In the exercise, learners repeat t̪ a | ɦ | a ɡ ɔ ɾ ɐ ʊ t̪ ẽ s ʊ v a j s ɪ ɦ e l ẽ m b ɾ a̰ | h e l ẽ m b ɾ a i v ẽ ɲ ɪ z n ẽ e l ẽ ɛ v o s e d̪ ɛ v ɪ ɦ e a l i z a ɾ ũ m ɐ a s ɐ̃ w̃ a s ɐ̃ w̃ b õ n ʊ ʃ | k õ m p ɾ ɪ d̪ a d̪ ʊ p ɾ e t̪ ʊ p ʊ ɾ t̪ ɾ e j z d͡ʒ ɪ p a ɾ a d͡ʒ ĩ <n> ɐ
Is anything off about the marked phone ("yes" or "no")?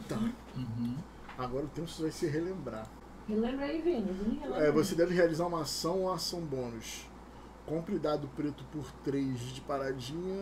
yes